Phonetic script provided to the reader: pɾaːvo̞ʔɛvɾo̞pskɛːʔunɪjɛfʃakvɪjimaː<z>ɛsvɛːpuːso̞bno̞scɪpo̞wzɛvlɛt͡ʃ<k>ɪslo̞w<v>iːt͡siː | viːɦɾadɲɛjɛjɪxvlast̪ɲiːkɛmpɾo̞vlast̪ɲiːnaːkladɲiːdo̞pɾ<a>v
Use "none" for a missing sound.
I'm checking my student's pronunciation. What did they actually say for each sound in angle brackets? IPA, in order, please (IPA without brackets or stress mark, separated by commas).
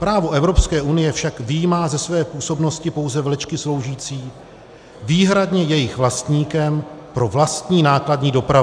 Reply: z, k, ʒ, a